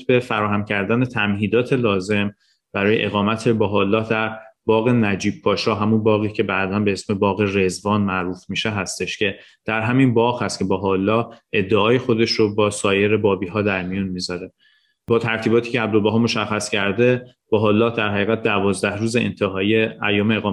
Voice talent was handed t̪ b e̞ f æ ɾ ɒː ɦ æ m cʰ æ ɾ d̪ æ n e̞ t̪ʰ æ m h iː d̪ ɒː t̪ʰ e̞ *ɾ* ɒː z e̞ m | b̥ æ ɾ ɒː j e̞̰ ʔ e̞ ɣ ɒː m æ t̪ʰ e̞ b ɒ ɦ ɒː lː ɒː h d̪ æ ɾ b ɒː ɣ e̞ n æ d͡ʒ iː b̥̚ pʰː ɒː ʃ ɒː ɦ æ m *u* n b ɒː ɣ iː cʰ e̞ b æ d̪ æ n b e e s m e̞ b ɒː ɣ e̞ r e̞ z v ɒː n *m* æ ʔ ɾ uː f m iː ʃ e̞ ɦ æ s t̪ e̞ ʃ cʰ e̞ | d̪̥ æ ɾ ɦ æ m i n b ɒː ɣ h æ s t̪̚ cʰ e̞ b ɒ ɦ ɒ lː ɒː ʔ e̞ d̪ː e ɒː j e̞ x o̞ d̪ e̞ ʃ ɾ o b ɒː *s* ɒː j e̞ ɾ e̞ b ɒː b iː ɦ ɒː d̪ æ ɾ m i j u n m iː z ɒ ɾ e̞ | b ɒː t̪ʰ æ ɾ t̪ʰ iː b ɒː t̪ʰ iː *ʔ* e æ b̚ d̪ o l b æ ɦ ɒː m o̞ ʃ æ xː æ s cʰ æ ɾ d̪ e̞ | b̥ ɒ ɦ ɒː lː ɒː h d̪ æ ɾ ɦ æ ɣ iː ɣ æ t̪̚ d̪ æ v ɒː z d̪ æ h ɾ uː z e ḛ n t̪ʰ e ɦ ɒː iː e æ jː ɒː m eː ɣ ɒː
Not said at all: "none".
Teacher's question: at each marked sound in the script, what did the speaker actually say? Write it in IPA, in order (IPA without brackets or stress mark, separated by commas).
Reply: l, u, m, s, c